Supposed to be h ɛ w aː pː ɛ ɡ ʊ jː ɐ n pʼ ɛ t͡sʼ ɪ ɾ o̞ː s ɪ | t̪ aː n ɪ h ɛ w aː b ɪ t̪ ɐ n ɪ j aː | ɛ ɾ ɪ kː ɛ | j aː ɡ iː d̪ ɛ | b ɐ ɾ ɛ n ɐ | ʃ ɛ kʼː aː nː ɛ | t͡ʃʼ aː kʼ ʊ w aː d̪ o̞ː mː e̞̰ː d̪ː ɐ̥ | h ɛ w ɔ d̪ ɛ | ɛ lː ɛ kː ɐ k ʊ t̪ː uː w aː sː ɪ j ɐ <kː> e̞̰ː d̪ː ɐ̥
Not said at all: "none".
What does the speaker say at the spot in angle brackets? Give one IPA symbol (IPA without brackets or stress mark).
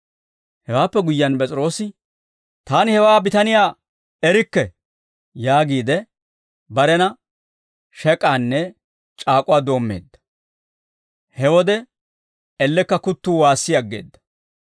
ɡː